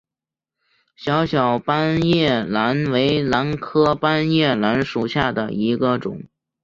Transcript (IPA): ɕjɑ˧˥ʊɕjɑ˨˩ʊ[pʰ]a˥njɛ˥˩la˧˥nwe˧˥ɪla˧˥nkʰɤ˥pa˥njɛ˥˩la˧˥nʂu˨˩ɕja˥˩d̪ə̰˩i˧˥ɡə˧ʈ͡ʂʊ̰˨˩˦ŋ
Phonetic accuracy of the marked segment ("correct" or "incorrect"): incorrect